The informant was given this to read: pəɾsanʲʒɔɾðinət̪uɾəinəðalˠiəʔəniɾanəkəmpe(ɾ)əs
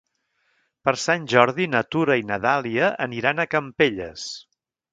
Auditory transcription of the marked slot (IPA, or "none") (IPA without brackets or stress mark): ʎ